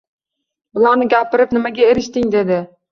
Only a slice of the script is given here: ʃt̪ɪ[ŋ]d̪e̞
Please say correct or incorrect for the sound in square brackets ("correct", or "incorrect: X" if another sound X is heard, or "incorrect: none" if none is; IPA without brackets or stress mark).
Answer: correct